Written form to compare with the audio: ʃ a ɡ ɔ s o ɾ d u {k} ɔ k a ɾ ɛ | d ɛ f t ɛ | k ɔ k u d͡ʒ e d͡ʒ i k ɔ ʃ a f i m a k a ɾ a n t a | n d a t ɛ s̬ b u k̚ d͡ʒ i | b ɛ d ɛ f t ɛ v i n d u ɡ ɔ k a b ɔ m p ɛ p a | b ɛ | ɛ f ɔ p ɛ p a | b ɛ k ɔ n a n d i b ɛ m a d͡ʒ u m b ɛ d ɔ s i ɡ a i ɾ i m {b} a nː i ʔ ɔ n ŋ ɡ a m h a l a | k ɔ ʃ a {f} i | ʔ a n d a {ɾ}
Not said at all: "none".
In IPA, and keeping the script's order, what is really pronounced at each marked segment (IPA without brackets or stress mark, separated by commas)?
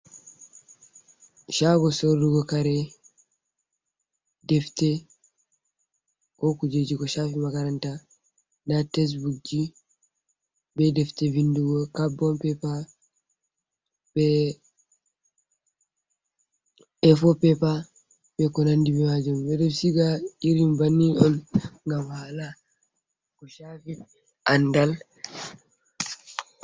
ɡ, b, f, l